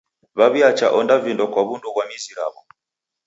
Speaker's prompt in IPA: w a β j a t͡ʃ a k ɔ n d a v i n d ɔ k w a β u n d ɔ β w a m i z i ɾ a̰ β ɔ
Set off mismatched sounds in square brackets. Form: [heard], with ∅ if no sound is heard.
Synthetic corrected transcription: [β] a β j a t͡ʃ a [ʔ] ɔ n d a v i n d ɔ k w a β u n d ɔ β w a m i z i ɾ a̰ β ɔ